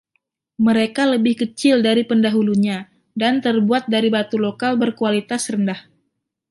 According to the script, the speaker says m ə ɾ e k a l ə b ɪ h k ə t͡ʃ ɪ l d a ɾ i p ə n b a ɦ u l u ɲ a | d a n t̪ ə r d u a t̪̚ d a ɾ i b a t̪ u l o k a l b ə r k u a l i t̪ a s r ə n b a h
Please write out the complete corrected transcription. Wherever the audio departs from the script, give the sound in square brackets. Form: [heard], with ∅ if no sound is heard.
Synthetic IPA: m ə ɾ e k a l ə b ɪ h k ə t͡ʃ ɪ l d a ɾ i p ə n [d] a ɦ u l u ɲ a | d a n t̪ ə r [b] u a t̪̚ d a ɾ i b a t̪ u l o k a l b ə r k u a l i t̪ a s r ə n [d] a h